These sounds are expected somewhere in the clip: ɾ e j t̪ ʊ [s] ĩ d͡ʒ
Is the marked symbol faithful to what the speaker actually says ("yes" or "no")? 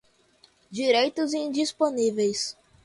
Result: no